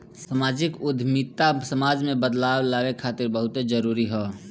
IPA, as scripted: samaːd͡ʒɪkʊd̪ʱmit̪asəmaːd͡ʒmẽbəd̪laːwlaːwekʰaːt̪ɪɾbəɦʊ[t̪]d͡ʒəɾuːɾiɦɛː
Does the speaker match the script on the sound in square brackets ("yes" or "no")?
yes